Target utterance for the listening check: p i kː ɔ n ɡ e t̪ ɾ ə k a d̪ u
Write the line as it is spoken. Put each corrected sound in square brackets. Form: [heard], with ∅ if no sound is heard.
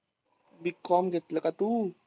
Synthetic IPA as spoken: [b] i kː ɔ [m] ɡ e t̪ [l] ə k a [t̪] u